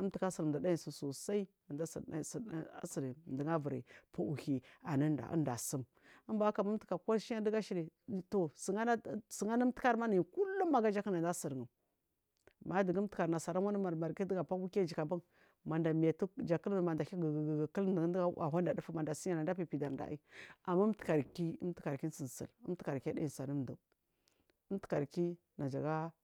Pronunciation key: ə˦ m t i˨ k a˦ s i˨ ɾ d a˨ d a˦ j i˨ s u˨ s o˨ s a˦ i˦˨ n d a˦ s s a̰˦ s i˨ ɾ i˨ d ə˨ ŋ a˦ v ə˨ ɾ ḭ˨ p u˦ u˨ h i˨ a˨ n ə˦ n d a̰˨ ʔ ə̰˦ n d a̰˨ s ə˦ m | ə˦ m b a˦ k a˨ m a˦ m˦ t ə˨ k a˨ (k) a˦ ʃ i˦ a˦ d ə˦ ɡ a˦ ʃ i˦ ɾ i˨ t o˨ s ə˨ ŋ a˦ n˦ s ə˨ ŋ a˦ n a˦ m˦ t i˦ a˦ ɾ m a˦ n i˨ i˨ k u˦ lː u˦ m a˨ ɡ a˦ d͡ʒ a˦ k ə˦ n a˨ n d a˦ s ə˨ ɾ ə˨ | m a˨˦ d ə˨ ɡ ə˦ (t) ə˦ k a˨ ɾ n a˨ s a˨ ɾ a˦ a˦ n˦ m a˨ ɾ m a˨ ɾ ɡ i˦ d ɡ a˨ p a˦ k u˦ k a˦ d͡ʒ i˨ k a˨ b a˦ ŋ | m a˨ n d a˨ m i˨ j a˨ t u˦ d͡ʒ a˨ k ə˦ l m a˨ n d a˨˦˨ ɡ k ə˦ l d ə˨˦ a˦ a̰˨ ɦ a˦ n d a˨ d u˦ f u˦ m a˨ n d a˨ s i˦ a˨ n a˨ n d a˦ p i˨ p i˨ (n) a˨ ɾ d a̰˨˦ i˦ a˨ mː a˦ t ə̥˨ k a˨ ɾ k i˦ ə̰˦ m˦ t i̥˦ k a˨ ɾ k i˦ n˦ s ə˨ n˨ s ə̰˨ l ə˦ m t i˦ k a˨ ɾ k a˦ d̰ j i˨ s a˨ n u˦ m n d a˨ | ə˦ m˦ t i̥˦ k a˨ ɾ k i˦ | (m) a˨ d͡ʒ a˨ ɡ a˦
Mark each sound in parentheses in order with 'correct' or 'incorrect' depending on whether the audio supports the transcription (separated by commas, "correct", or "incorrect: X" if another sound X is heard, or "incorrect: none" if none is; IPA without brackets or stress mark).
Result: correct, correct, incorrect: d, incorrect: n